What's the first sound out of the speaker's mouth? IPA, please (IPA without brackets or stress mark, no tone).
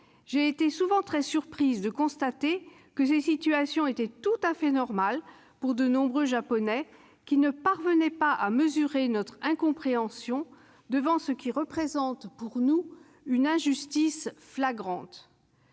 ʒ